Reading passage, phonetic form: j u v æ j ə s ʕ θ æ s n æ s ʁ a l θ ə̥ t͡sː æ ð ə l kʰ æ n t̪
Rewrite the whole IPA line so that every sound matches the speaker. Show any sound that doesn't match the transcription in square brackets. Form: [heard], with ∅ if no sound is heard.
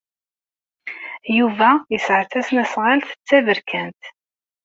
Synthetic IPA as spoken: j u v æ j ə s ʕ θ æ s n æ s ʁ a l θ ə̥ t͡sː æ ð ə [ɾ] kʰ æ n t̪